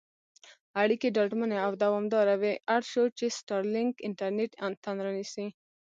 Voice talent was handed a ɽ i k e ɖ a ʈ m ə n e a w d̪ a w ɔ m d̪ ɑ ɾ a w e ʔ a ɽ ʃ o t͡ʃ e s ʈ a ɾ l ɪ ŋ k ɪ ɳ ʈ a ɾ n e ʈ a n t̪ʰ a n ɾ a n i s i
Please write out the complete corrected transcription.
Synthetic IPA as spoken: a ɽ i k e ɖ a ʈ m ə n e a w d̪ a w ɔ m d̪ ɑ ɾ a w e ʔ a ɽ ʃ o t͡ʃ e s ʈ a ɾ l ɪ ŋ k ɪ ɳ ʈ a ɾ n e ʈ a n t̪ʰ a n ɾ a n i s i